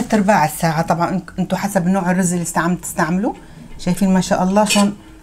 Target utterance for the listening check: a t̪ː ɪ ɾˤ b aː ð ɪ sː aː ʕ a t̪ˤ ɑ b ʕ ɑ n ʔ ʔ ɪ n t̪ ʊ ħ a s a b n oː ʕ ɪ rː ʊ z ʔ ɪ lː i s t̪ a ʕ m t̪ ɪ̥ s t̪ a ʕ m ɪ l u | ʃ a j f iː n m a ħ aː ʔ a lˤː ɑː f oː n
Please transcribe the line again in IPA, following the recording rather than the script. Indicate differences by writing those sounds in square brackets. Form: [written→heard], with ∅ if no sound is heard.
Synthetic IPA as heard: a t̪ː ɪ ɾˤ b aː [ð→ʕ] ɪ sː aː ʕ a t̪ˤ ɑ b ʕ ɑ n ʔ ʔ ɪ n t̪ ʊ ħ a s a b n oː ʕ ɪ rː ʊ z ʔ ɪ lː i s t̪ a ʕ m t̪ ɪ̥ s t̪ a ʕ m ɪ l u | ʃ a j f iː n m a [ħ→ʃ] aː ʔ [a→ɑ] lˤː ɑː [f→ʃ] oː n